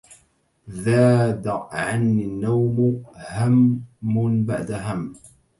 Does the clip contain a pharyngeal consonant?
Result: yes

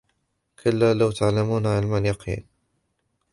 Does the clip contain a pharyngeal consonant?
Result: yes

